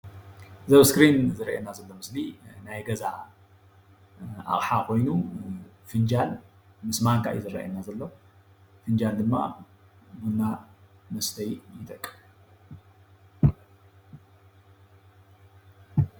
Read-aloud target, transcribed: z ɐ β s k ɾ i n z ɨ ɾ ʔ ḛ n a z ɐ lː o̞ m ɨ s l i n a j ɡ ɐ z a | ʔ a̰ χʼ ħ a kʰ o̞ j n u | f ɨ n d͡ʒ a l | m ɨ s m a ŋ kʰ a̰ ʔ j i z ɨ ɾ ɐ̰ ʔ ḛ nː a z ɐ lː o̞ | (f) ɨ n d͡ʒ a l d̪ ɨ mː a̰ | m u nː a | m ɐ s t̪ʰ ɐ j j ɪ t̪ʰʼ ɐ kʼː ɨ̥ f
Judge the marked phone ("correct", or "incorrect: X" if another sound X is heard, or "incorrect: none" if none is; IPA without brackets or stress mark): correct